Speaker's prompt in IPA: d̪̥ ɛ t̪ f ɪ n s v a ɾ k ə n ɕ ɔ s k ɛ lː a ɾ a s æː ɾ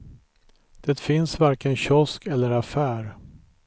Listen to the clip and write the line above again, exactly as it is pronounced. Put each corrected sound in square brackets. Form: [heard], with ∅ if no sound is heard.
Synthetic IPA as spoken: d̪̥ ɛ t̪ f ɪ n s v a ɾ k ə n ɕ ɔ s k ɛ lː [ə] ɾ a [f] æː ɾ